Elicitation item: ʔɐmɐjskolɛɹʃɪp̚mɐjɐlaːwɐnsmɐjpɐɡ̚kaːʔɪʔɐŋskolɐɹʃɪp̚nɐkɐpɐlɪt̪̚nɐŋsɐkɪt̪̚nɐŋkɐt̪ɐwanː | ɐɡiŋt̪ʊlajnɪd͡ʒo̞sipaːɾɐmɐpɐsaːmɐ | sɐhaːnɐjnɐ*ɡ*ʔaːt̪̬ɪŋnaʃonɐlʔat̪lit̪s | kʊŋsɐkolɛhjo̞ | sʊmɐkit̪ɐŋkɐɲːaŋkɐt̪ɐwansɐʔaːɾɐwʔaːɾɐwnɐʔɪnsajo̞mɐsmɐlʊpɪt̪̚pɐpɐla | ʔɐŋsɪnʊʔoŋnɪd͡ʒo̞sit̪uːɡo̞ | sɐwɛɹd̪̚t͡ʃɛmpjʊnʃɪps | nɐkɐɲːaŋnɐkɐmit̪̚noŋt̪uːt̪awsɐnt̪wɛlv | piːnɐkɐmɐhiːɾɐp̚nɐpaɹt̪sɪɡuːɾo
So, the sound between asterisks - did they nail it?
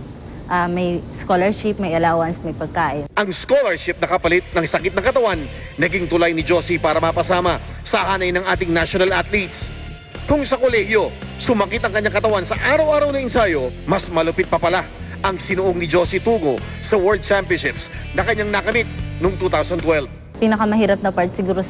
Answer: no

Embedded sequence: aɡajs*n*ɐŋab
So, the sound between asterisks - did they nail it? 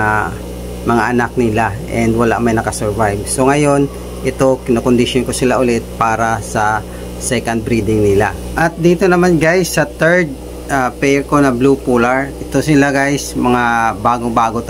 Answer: no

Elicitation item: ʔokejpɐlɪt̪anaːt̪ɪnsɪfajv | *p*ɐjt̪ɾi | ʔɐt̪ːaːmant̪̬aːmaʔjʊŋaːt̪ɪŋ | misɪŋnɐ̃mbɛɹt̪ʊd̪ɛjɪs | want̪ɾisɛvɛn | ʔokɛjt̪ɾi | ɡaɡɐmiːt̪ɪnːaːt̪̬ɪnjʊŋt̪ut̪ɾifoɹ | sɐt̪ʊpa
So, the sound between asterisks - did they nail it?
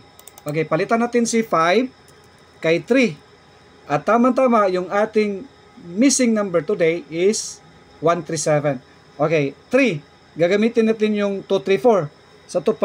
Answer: no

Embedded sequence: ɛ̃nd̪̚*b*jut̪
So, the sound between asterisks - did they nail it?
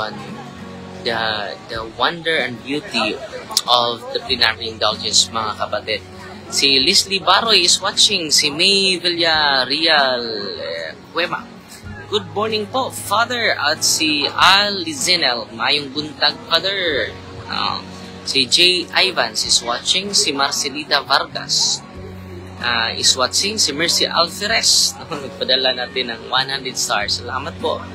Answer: yes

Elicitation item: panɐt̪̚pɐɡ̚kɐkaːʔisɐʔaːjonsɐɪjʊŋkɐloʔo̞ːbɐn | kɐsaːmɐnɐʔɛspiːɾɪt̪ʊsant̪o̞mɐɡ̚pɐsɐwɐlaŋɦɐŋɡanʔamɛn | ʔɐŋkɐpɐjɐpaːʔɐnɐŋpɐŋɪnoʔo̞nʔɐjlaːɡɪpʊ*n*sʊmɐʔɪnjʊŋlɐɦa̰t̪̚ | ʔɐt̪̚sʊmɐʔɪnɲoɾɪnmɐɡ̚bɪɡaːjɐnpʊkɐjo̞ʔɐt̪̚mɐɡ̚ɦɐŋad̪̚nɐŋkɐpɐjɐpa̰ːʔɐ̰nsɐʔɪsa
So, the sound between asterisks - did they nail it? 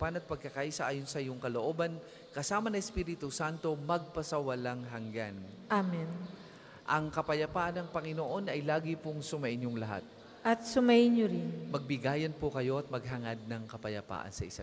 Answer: no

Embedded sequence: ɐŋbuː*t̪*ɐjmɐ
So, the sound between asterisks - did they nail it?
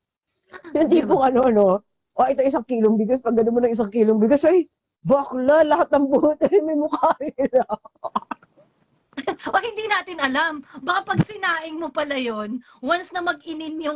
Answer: yes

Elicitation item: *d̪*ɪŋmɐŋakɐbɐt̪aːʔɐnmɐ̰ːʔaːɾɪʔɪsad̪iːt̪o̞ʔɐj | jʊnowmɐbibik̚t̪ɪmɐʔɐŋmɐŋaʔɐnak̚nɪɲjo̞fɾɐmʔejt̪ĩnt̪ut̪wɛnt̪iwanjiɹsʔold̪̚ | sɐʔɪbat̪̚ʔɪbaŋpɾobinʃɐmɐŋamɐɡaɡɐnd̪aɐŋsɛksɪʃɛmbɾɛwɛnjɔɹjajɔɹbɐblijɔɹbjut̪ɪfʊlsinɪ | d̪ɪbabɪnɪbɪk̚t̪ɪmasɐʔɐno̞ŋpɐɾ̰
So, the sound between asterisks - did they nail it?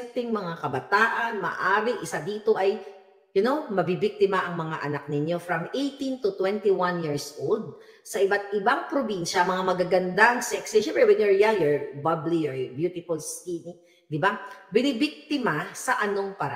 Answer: no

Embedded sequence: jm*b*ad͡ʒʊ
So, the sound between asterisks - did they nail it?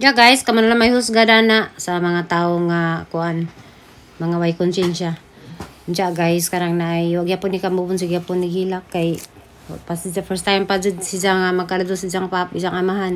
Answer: no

